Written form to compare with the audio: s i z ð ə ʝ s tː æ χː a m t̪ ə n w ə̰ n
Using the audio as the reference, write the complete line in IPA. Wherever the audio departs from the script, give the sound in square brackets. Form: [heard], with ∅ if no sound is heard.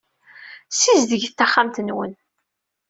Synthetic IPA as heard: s i z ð ə ʝ [θ] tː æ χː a m t̪ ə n w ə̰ n